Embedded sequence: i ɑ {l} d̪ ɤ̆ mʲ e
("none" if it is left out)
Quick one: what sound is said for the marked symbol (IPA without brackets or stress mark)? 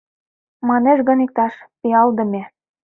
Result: l